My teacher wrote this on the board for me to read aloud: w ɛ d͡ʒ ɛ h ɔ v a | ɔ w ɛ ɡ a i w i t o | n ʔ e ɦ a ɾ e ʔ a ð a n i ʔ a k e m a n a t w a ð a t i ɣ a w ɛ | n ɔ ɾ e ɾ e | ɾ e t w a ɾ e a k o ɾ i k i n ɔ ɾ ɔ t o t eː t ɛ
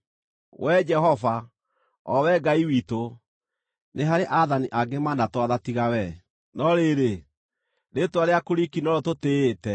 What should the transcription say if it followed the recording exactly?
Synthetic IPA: w ɛ d͡ʒ ɛ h ɔ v a | ɔ w ɛ ɡ a i w i t o | n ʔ e ɦ a ɾ e ʔ a ð a n i ʔ a ɡ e m a n a t w a ð a t i ɣ a w ɛ | n ɔ ɾ e ɾ e | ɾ e t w a ɾ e a k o ɾ i k i n ɔ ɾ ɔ t o t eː t ɛ